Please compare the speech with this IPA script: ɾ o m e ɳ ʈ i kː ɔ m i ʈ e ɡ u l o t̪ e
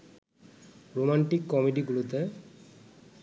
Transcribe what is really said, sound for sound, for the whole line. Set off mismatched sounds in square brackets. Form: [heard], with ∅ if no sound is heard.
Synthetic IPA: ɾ o m [a] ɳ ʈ i kː ɔ m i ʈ [i] ɡ u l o t̪ e